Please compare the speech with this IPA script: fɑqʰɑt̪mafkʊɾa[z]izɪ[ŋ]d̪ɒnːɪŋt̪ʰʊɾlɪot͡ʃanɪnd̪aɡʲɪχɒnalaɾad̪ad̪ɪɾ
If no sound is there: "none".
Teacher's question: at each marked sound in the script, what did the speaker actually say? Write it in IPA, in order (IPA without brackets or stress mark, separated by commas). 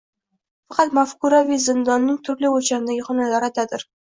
v, n